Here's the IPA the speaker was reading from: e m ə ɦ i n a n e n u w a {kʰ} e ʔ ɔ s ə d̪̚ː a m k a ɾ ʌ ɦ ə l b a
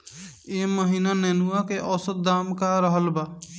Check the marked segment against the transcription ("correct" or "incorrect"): incorrect